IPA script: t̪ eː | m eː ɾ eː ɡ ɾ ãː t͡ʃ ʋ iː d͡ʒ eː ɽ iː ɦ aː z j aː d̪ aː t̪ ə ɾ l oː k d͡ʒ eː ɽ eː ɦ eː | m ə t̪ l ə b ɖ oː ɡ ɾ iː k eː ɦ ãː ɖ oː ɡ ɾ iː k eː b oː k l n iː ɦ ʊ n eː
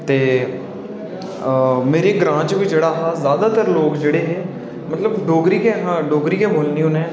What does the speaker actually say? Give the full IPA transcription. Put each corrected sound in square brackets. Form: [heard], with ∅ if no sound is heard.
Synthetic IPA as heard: t̪ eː | m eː ɾ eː ɡ ɾ ãː t͡ʃ ʋ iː d͡ʒ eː ɽ [aː] ɦ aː z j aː d̪ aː t̪ ə ɾ l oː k d͡ʒ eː ɽ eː ɦ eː | m ə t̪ l ə b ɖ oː ɡ ɾ iː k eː ɦ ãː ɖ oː ɡ ɾ iː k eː b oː [∅] l n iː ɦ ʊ n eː